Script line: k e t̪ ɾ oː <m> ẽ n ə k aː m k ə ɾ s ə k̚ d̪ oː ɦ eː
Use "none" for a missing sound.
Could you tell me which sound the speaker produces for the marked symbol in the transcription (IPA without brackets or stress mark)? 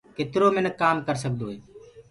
m